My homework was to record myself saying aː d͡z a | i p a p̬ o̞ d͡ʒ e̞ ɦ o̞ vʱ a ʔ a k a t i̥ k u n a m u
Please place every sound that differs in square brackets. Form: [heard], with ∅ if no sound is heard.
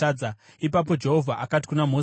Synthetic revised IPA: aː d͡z a | i p a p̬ o̞ d͡ʒ e̞ ɦ o̞ vʱ a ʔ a k a t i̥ k u n a m [o]